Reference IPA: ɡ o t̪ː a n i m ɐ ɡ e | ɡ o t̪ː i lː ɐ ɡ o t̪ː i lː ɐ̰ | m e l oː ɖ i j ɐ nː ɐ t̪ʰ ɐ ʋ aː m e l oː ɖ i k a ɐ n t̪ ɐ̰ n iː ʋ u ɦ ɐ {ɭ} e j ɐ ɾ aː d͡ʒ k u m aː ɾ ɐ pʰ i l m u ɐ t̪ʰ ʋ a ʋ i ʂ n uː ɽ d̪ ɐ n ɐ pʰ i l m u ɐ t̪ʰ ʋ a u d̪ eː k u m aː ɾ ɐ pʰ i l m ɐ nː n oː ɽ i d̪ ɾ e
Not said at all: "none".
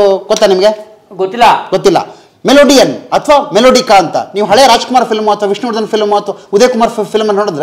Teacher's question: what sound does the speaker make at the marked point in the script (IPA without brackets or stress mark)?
ɭ